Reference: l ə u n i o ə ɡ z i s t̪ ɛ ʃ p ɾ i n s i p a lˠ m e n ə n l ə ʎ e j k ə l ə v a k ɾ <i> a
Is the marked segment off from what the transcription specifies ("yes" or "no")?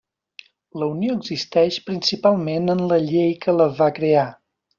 yes